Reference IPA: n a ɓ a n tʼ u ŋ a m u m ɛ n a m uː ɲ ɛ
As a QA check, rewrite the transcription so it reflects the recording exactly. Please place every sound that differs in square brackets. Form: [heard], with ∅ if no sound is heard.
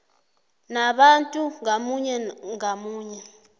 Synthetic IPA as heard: n a ɓ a n tʼ u ŋ a m u [ɲ] ɛ [ŋ] a m uː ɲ ɛ

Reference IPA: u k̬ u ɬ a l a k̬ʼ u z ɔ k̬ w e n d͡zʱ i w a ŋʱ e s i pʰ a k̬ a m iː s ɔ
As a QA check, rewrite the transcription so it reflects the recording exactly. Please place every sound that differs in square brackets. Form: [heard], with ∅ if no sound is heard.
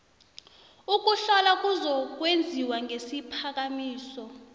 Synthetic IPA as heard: u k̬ u ɬ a l a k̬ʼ u z ɔ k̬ w e n d͡zʱ i w a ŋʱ e s i pʰ a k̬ a m iː s ɔ

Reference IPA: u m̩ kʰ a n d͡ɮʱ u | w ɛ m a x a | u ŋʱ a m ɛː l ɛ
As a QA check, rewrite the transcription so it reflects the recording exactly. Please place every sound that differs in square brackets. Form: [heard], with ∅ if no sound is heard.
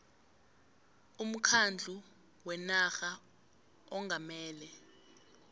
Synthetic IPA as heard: u m̩ kʰ a n d͡ɮʱ u | w ɛ [n] a x a | [ɔ] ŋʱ a m ɛː l ɛ

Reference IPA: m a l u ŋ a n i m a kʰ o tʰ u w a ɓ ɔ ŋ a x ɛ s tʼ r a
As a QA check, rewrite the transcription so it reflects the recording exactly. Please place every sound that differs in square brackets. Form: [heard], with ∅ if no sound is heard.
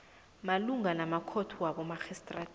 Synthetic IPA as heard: m a l u ŋ a n [a] m a kʰ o tʰ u w a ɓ ɔ [m] a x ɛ s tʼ r a

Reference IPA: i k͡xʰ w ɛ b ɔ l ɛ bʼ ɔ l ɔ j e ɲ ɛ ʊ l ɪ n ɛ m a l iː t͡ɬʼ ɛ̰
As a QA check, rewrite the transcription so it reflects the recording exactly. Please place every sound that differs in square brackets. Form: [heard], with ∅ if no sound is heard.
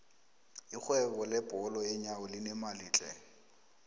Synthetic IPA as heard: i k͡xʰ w ɛ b ɔ l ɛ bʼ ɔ l ɔ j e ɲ [a] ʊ l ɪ n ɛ m a l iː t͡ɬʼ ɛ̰

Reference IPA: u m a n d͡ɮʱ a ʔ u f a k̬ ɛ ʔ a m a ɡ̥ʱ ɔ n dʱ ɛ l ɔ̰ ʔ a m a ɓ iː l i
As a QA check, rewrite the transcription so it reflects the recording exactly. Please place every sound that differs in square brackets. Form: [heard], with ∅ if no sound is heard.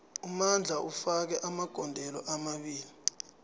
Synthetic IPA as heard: u m a n d͡ɮʱ a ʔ u f a k̬ ɛ ʔ a m a ɡ̥ʱ ɔ n dʱ ɛ l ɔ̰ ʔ a m a ɓ iː l i

